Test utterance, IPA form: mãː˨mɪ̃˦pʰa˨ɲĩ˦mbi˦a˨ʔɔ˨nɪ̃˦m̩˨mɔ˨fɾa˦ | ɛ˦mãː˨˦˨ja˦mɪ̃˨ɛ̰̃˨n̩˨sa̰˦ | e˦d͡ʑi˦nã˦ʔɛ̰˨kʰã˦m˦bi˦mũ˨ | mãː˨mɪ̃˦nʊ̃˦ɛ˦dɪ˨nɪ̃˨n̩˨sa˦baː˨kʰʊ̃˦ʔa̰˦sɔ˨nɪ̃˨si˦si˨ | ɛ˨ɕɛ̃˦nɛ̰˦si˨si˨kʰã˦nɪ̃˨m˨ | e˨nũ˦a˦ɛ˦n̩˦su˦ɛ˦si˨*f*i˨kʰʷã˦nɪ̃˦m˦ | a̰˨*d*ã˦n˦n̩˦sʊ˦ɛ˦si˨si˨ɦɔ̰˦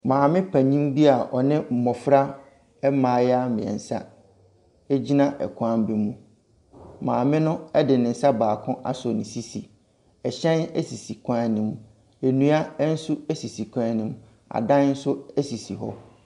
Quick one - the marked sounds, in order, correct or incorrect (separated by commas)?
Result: incorrect, correct